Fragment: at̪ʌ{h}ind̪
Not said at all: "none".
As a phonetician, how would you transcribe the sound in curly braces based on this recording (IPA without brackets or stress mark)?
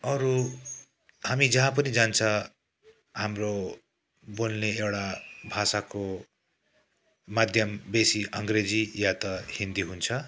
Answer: h